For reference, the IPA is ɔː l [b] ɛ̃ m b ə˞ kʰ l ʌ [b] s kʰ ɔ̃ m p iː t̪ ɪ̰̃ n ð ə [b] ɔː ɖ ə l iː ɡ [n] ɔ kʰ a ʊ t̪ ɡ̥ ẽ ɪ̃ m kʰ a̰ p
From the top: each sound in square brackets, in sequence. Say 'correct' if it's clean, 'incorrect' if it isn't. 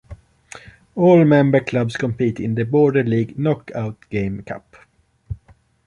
incorrect: m, correct, correct, correct

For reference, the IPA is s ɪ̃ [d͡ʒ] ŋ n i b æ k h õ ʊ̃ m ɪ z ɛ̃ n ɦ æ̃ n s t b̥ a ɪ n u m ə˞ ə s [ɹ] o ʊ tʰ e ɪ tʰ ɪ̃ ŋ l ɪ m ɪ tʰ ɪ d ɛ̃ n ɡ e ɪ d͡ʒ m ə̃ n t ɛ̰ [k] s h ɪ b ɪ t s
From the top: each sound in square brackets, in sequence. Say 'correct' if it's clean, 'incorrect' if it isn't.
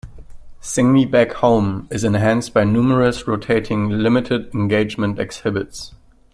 incorrect: none, correct, correct

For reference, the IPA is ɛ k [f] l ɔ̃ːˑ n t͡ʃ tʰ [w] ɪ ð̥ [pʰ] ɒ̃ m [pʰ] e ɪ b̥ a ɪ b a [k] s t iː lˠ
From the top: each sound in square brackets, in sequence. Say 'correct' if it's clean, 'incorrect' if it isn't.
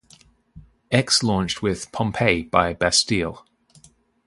incorrect: s, correct, correct, correct, incorrect: none

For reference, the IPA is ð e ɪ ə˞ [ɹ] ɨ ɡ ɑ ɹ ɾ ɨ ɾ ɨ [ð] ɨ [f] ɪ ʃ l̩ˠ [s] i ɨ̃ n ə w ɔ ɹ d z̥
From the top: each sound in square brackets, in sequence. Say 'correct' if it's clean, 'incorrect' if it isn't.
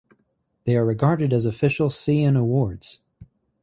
correct, incorrect: z, correct, correct

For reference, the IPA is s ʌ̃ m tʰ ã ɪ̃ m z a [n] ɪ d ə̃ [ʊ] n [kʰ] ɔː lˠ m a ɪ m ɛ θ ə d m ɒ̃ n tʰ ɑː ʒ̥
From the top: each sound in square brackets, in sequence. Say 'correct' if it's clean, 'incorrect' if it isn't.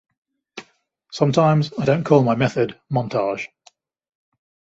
incorrect: none, incorrect: ʊ̃, correct

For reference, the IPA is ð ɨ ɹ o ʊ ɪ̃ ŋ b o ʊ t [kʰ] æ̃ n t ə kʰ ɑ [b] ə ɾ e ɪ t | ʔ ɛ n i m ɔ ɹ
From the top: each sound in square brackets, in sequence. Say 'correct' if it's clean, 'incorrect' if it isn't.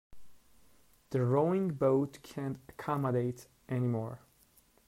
correct, incorrect: m

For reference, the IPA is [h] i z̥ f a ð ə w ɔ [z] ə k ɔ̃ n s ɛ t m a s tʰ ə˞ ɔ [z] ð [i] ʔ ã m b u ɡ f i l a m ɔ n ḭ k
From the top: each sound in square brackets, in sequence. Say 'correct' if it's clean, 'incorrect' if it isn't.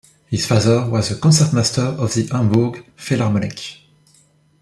correct, correct, incorrect: v, correct

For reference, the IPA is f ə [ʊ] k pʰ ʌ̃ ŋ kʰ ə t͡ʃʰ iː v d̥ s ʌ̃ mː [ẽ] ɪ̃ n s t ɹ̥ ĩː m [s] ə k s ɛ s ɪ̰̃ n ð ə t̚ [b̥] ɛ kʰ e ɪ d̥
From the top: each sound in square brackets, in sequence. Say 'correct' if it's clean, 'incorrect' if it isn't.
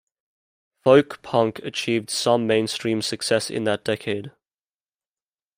correct, correct, correct, incorrect: d̥

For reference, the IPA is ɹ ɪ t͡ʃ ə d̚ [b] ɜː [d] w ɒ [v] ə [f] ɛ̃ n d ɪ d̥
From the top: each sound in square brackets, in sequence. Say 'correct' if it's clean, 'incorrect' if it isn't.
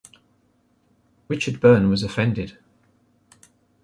correct, incorrect: n, incorrect: z, correct

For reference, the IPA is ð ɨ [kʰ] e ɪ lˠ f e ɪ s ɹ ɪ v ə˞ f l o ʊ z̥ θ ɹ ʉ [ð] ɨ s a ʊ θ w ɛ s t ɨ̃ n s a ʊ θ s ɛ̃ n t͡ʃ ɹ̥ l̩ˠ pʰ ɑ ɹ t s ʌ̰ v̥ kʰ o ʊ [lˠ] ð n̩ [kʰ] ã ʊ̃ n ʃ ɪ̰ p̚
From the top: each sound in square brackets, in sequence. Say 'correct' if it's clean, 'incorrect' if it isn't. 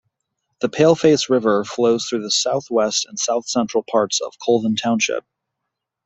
incorrect: pʰ, correct, correct, incorrect: tʰ

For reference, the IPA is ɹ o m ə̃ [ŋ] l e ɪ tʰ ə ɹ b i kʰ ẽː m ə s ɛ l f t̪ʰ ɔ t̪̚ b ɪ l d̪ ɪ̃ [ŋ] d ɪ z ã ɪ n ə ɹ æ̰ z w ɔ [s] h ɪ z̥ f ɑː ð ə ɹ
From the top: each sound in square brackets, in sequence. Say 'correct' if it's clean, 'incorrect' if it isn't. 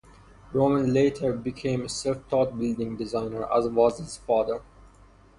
incorrect: n, correct, incorrect: z

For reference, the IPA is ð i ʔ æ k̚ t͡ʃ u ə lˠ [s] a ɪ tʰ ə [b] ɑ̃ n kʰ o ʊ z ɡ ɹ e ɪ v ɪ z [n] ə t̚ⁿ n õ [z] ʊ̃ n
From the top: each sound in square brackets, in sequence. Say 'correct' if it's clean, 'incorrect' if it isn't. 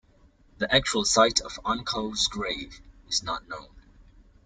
correct, incorrect: v, correct, incorrect: none

